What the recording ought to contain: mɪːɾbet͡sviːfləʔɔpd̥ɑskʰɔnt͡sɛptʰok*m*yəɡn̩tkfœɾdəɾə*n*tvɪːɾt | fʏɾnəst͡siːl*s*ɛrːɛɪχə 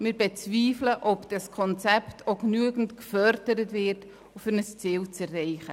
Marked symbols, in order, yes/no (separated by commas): no, no, no